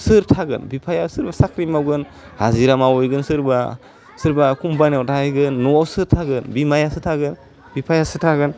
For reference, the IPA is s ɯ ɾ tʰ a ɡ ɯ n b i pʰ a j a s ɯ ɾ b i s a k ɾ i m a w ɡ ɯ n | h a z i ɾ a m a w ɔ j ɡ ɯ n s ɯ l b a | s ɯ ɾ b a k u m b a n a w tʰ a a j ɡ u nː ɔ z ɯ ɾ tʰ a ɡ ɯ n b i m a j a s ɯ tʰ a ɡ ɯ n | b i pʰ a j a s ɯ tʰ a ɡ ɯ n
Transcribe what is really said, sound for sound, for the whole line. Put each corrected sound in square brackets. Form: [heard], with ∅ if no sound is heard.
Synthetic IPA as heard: s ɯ ɾ tʰ a ɡ ɯ n b i pʰ a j a s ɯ ɾ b [a] s a k ɾ i m a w ɡ ɯ n | h a z i ɾ a m a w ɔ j ɡ ɯ n s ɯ [ɾ] b a | s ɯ ɾ b a k u m b a n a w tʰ a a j ɡ [ɯ] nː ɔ [s] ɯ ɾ tʰ a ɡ ɯ n b i m a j a s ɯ tʰ a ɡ ɯ n | b i pʰ a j a s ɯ tʰ a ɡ ɯ n

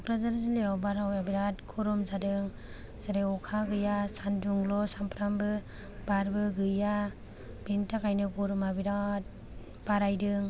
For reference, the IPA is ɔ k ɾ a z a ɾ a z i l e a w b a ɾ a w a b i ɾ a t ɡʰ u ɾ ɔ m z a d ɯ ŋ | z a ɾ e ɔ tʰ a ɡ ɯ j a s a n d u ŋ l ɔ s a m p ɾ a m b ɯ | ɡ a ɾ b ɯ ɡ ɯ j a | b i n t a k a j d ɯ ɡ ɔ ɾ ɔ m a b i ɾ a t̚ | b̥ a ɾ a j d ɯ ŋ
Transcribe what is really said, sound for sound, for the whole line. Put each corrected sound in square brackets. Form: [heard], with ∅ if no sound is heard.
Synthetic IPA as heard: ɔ k ɾ a z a ɾ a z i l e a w b a ɾ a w a b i ɾ a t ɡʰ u ɾ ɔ m z a d ɯ ŋ | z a ɾ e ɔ [kʰ] a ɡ ɯ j a s a n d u ŋ l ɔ s a m p ɾ a m b ɯ | [b] a ɾ b ɯ ɡ ɯ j a | b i n t a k a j [n] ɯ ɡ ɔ ɾ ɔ m a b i ɾ a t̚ | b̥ a ɾ a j d ɯ ŋ

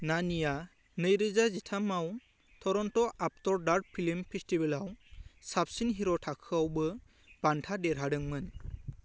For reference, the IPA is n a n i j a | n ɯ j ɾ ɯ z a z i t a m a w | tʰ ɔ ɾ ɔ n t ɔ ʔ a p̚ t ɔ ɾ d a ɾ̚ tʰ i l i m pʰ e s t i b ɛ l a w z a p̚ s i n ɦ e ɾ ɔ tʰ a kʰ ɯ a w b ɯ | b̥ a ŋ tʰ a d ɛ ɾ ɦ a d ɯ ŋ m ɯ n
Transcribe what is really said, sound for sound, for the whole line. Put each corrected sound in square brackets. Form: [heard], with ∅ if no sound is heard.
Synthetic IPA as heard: n a n i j a | n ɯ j ɾ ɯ z a z i [tʰ] a m a w | tʰ ɔ ɾ ɔ n t ɔ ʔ a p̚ t ɔ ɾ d a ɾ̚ [pʰ] i l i m pʰ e s t i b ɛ l a w [s] a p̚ s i n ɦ [i] ɾ ɔ tʰ a kʰ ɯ a w b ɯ | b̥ a [n] tʰ a d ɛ ɾ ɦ a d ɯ ŋ m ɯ n

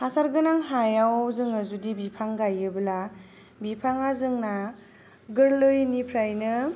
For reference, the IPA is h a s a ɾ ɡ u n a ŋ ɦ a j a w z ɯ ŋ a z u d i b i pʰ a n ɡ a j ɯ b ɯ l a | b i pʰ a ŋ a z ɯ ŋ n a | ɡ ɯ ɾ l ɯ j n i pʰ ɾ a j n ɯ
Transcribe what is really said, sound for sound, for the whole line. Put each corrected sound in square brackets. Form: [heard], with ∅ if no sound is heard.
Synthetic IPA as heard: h a s a ɾ ɡ [ɯ] n a ŋ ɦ a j a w z ɯ ŋ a z u d i b i pʰ a [ŋ] ɡ a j ɯ b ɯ l a | b i pʰ a ŋ a z ɯ ŋ n a | ɡ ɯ ɾ l ɯ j n i pʰ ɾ a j n ɯ

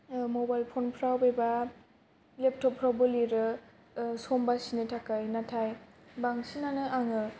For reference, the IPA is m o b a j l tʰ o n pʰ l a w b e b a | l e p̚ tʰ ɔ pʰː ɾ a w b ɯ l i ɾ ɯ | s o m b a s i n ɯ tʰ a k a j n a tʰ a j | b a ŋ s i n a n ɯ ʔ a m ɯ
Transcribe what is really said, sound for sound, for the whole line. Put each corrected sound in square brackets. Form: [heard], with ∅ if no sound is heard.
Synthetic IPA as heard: m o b a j l [pʰ] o n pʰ [ɾ] a w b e b a | l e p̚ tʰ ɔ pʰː ɾ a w b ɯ l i ɾ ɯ | s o m b a s i n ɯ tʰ a k a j n a tʰ a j | b a ŋ s i n a n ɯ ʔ a [ŋ] ɯ

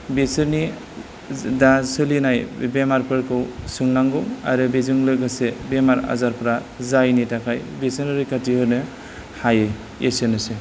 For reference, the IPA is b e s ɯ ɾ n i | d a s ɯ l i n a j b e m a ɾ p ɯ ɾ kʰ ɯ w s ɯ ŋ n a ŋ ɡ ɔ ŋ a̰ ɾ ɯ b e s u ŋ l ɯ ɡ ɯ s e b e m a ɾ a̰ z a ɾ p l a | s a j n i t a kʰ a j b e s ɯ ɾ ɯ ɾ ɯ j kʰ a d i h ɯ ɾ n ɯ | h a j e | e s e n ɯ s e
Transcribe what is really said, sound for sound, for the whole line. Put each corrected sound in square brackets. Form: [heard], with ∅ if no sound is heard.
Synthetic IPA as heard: b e s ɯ ɾ n i | d a s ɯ l i n a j b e m a ɾ p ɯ ɾ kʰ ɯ w s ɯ ŋ n a ŋ ɡ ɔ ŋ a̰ ɾ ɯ b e [z] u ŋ l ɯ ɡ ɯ s e b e m a ɾ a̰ z a ɾ p [ɾ] a | [z] a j n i t a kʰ a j b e s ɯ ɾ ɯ ɾ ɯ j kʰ a [t] i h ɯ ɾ n ɯ | h a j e | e s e n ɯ s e

